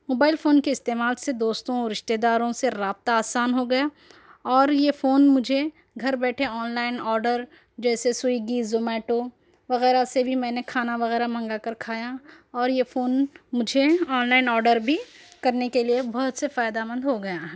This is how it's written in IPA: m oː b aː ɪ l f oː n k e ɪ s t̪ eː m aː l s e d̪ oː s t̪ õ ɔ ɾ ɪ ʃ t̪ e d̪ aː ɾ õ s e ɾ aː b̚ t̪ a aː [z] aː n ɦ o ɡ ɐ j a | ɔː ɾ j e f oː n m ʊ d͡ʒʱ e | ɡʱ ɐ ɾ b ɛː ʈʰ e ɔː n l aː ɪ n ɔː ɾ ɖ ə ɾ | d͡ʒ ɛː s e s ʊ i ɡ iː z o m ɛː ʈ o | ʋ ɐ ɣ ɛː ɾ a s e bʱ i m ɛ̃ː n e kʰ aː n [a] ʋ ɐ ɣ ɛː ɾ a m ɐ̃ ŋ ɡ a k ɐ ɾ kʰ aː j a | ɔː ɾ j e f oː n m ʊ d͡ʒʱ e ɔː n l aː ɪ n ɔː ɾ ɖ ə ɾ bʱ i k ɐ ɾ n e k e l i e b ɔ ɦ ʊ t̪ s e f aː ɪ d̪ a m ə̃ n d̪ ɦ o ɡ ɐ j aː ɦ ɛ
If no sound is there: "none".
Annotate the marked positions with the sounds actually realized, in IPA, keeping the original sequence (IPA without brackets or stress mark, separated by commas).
s, a